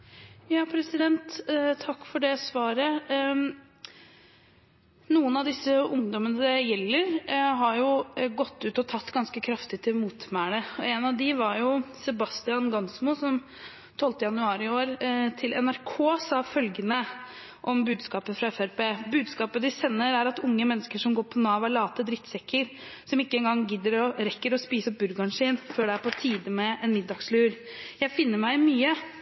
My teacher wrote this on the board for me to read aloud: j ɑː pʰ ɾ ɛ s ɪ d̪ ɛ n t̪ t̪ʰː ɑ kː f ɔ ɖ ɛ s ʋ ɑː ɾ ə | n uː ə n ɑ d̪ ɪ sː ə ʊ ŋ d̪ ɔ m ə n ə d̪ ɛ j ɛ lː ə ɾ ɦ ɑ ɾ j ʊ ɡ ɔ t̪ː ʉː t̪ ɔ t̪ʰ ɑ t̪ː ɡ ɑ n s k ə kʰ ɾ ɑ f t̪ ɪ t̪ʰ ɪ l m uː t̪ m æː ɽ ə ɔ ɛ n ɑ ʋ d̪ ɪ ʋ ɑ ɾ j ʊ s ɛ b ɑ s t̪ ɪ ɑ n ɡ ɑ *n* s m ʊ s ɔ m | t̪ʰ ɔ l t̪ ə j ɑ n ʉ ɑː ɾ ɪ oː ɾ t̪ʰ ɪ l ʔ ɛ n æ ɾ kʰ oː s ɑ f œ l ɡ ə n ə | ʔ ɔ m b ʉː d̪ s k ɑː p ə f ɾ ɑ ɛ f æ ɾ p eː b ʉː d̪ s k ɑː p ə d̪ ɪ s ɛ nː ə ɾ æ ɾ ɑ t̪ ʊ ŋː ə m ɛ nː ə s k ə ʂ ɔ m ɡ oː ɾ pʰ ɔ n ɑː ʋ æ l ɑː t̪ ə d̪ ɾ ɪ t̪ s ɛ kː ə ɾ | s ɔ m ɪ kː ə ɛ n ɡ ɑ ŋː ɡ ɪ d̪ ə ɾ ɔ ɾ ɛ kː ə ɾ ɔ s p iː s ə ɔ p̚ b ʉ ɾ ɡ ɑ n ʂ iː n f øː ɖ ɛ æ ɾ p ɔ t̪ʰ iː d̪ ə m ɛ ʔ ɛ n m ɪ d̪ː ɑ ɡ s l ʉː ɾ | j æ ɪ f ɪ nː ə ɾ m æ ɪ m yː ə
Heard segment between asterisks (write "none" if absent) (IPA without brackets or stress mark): n